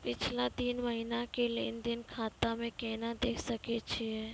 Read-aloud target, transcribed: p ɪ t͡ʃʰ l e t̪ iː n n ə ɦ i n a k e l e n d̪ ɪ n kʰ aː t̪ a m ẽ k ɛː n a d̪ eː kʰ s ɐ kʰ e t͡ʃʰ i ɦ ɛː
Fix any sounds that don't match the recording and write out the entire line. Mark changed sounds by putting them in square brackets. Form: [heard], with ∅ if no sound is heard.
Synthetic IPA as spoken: p ɪ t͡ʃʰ l [a] t̪ iː n [m] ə ɦ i n a k e l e n d̪ ɪ n kʰ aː t̪ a m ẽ k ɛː n a d̪ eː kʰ s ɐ [k] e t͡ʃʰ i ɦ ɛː